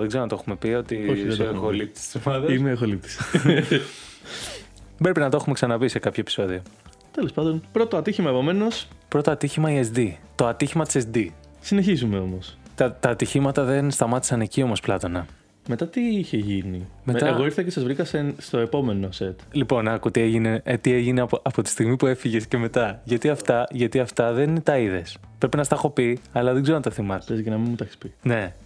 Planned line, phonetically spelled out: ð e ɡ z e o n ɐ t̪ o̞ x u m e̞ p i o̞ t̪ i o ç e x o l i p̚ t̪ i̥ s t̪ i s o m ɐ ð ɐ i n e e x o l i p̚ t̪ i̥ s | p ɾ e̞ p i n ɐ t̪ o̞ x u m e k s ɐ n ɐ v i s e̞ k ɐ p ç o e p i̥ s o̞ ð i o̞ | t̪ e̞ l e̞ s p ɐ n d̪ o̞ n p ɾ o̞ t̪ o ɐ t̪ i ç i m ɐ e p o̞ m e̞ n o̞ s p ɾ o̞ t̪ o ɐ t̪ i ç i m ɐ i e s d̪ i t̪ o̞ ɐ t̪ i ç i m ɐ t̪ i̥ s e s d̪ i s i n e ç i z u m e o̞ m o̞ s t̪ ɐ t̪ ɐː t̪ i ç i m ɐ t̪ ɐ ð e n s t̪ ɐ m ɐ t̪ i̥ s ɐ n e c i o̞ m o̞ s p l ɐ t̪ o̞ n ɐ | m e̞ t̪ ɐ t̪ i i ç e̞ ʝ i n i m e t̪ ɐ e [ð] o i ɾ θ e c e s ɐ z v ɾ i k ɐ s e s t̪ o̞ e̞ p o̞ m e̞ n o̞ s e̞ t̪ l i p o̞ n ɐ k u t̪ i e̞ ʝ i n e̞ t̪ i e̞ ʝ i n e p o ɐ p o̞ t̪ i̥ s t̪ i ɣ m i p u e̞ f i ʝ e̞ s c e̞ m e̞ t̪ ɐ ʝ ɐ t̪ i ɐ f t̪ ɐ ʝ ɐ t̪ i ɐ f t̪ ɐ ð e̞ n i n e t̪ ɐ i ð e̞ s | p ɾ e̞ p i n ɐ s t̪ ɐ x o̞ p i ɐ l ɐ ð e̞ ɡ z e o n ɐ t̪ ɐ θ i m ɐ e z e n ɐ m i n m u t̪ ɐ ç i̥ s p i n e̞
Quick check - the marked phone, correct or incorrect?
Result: incorrect